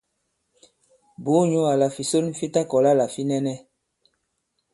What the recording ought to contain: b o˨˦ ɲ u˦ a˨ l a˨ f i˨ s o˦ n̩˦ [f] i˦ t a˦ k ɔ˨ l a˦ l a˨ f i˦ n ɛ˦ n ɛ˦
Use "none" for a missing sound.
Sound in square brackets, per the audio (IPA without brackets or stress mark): f